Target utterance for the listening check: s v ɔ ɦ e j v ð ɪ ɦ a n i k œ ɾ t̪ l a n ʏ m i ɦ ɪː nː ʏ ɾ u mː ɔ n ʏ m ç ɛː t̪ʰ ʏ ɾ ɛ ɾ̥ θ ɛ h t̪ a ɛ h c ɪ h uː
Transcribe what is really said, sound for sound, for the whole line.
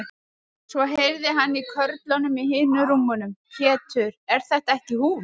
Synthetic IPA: s v ɔ ɦ e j v ð ɪ ɦ a nː i kʰ œ ɾ t̪ l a n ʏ m i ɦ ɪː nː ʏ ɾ u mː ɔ n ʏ m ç ɛː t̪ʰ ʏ ɾ ɛ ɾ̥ θ ɛ h t̪ a ɛ h c ɪ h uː